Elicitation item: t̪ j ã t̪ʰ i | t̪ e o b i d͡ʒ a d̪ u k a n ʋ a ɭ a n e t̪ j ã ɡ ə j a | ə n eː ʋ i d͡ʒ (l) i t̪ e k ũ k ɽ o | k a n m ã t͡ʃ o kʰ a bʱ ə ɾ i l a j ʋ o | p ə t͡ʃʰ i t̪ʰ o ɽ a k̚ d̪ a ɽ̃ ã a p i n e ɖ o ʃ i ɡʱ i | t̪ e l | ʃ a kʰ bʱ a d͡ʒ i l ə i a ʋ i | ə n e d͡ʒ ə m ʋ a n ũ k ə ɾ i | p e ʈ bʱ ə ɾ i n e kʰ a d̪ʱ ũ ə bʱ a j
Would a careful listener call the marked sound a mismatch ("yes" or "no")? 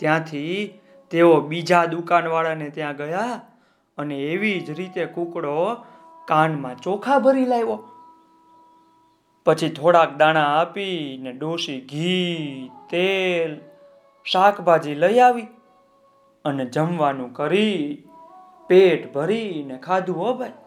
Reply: yes